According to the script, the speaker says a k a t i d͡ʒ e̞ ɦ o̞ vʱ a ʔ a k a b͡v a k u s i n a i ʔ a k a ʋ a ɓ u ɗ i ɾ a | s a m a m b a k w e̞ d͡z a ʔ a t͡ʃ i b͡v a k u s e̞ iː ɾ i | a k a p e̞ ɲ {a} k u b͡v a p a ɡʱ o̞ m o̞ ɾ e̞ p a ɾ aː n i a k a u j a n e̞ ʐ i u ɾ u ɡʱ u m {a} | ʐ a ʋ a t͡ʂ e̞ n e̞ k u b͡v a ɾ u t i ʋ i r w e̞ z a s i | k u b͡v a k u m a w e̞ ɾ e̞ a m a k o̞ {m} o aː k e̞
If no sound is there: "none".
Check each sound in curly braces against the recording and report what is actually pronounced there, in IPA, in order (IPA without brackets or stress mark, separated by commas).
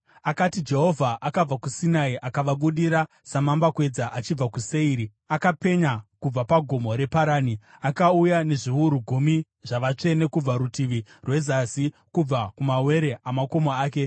a, i, m